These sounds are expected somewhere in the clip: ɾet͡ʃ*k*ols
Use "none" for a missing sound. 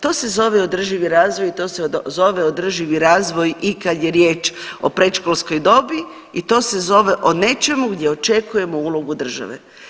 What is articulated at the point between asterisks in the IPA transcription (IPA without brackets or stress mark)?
k